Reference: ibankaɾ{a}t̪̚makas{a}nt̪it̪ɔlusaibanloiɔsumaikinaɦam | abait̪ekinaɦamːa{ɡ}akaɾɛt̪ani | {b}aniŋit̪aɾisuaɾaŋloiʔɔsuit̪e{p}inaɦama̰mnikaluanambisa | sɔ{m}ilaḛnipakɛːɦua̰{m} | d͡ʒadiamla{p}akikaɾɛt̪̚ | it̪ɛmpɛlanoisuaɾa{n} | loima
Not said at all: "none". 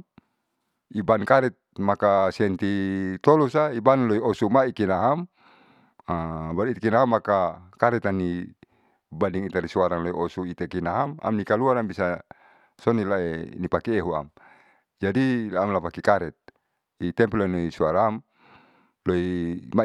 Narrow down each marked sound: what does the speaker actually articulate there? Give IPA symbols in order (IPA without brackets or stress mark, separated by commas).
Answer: ɛ, ɛ, k, b, k, n, m, p, m